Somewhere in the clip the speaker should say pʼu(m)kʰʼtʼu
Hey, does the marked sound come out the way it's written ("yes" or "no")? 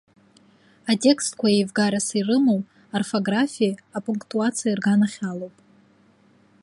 no